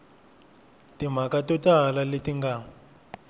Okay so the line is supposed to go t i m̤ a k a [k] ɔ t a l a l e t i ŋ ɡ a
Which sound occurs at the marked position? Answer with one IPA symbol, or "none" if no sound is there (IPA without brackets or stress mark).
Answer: t